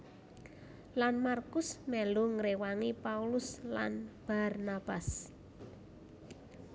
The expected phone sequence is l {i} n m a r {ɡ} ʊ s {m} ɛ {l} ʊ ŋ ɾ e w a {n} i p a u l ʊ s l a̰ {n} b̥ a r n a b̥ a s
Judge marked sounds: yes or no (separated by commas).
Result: no, no, yes, yes, no, yes